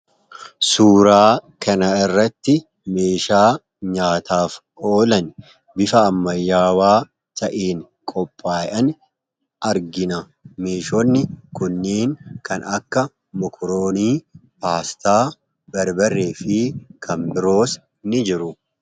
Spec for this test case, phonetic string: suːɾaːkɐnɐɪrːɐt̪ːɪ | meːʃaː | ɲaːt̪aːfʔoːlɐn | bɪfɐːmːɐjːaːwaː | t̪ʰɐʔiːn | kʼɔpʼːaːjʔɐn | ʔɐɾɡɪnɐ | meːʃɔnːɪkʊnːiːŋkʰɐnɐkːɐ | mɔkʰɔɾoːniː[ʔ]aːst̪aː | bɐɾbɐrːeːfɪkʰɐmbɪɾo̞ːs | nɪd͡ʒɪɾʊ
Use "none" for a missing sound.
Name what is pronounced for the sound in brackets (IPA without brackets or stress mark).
p